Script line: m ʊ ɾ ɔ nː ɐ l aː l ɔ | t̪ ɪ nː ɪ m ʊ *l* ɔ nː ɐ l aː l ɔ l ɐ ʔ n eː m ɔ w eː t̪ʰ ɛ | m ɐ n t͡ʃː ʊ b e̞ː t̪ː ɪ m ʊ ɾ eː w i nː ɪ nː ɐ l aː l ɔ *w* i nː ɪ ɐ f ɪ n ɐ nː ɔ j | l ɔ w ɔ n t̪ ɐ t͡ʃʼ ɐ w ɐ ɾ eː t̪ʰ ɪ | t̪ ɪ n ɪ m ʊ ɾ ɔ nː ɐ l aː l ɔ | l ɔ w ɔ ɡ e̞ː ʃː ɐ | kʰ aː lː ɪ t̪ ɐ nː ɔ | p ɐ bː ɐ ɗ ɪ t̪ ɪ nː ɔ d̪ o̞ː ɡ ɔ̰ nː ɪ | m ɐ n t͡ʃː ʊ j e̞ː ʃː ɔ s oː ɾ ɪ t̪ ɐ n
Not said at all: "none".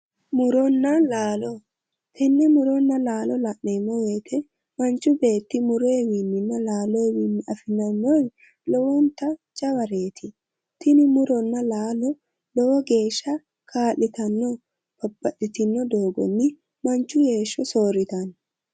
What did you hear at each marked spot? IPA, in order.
ɾ, w

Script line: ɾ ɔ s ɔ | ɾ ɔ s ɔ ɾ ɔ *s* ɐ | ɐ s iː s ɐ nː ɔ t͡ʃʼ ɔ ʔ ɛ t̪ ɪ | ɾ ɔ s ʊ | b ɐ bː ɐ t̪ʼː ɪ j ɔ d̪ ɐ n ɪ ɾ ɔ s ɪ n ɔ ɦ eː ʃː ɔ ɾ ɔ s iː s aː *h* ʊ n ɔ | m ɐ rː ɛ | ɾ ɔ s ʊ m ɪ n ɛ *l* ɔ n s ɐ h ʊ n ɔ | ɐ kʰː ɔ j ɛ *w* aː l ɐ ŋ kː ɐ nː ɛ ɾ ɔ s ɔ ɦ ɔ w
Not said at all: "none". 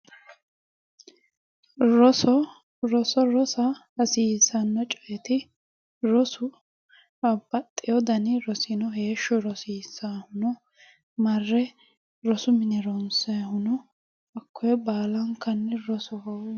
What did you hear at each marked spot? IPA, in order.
s, h, ɾ, b

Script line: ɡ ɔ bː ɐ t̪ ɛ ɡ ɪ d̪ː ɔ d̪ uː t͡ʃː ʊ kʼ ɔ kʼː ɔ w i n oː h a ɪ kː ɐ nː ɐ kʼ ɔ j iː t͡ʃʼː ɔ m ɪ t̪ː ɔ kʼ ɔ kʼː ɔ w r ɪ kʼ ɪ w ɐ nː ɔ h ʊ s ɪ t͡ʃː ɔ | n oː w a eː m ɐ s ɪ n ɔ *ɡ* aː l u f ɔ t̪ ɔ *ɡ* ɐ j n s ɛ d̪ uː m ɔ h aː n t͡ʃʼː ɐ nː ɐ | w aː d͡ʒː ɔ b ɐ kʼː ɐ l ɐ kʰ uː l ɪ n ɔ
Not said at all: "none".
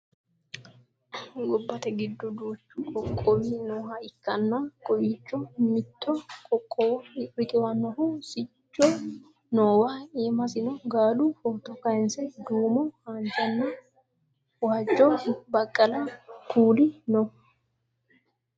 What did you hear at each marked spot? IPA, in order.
ɡ, k

